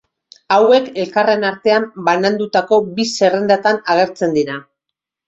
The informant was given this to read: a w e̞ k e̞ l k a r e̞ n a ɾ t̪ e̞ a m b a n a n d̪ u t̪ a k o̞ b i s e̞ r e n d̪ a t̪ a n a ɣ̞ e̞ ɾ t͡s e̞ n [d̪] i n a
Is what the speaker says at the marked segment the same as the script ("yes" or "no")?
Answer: yes